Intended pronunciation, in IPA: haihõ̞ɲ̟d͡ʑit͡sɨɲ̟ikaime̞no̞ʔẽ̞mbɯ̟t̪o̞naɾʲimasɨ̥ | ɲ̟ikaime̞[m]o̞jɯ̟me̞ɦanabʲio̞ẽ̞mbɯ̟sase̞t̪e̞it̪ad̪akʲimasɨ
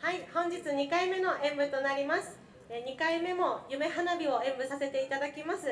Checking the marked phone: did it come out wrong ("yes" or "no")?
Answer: no